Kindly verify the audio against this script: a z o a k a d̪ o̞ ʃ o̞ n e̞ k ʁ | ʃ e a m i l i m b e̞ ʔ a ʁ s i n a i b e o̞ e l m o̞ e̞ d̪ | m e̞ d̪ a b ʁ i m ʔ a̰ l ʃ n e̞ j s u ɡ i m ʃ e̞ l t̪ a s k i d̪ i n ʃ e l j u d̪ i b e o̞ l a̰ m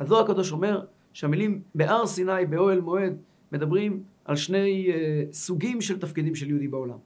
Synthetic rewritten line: a z o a k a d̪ o̞ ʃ o̞ m e̞ ʁ | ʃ e a m i l i m b e̞ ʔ a ʁ s i n a j b e o̞ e l m o̞ e̞ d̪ | m e̞ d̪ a b ʁ i m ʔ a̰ l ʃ n e̞ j s u ɡ i m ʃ e̞ l t̪ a f k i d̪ i m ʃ e l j u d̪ i b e o̞ l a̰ m